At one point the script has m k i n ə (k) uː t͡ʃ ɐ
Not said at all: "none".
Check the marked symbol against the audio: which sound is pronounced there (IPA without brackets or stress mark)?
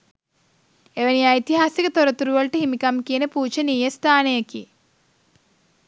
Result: p